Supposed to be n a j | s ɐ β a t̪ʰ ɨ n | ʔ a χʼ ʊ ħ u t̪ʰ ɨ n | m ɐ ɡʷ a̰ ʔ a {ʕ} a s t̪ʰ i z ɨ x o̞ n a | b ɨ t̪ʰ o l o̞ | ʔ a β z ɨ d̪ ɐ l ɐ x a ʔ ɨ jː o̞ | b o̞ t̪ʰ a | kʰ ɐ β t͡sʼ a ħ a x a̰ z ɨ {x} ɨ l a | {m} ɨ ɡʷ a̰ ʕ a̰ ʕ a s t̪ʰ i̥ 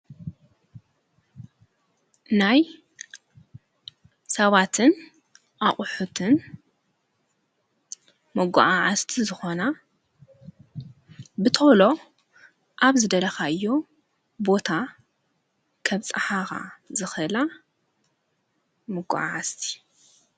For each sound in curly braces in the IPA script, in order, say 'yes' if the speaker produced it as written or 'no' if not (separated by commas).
yes, yes, yes